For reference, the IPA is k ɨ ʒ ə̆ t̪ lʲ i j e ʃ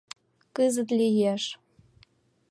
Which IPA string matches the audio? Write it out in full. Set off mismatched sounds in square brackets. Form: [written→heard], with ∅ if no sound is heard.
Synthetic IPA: k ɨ [ʒ→z] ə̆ t̪ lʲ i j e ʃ